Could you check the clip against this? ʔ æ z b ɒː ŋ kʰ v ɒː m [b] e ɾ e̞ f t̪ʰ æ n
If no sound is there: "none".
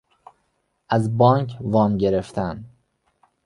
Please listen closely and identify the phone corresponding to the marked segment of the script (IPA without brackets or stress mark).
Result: ɟ